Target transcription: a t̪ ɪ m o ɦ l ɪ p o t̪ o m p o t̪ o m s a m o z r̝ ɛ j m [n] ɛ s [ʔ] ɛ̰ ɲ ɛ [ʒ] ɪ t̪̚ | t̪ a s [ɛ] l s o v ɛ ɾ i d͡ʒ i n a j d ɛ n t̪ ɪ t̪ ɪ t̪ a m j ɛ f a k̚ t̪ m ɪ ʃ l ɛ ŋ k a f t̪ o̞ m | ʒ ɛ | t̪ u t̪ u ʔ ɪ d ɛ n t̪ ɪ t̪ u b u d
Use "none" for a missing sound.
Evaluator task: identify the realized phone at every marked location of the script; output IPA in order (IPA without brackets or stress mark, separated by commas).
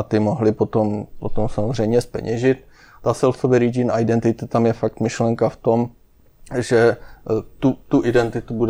ɲ, p, ʒ, ɛ